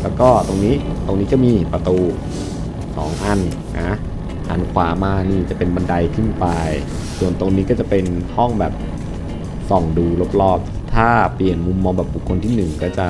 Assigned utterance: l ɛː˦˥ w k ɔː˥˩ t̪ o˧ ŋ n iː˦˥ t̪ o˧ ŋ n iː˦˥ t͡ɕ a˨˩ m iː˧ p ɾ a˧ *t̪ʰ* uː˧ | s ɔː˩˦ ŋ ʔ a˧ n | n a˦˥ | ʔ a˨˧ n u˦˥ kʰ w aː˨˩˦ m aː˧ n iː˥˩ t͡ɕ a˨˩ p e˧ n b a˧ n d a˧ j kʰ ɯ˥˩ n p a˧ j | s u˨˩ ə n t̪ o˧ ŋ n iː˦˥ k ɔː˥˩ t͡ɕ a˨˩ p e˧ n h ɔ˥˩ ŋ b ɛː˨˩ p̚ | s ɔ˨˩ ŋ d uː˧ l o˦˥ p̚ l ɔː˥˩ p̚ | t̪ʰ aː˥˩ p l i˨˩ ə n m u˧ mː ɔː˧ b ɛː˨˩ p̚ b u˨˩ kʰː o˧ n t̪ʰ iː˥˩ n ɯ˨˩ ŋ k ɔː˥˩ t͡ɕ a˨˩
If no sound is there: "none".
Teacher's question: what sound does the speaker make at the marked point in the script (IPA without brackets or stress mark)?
t̪